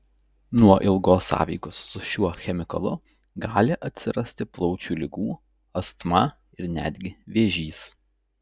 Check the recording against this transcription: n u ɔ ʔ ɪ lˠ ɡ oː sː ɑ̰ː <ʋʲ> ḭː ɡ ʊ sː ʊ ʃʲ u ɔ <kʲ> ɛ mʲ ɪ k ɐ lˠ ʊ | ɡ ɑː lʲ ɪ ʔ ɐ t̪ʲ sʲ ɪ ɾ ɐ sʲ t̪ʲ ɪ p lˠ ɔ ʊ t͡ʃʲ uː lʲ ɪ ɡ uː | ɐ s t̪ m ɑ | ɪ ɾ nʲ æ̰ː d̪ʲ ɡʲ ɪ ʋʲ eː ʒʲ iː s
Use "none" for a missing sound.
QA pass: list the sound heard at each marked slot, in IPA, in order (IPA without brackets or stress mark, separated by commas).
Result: ʋʲ, xʲ